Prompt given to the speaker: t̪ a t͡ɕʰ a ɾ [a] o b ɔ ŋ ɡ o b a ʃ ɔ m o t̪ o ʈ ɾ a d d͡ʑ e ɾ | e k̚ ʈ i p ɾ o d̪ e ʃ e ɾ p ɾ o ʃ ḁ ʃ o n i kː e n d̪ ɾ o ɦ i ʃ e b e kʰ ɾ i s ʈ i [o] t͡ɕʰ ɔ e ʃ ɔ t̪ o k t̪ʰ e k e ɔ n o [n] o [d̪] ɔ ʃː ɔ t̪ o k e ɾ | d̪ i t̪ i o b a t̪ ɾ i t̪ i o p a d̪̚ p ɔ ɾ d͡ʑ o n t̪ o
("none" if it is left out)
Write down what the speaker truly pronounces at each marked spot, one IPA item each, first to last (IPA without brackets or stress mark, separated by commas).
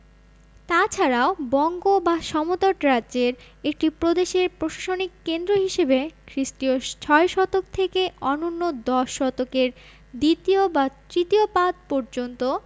a, o, nː, d̪